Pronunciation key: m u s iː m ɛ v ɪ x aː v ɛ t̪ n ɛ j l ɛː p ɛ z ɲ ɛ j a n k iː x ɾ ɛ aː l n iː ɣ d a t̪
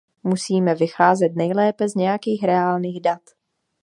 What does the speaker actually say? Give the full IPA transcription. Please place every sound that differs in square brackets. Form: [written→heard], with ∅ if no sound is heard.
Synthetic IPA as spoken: m u s iː m ɛ v ɪ x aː [v→z] ɛ t̪ n ɛ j l ɛː p ɛ z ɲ ɛ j a [n→∅] k iː x ɾ ɛ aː l n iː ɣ d a t̪